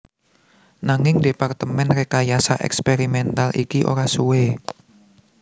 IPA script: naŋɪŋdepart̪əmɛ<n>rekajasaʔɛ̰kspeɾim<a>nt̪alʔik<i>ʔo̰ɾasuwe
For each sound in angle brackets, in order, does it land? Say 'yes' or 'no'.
yes, no, yes

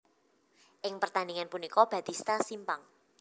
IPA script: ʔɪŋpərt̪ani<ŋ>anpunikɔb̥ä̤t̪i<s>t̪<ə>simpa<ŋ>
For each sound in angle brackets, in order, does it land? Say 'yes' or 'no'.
yes, yes, no, yes

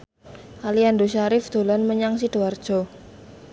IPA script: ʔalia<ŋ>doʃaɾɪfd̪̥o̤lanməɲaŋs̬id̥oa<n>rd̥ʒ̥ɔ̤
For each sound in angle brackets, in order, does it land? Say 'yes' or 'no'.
no, no

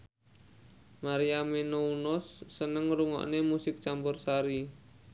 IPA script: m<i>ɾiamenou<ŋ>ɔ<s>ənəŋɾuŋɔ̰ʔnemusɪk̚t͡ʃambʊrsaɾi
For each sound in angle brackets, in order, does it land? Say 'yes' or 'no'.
no, no, no

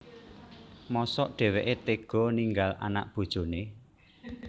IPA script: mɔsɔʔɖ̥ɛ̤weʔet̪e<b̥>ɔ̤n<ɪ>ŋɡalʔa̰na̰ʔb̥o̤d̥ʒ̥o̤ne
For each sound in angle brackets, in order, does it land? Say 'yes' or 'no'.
no, no

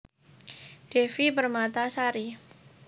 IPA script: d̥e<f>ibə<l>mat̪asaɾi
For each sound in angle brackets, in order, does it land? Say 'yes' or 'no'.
yes, no

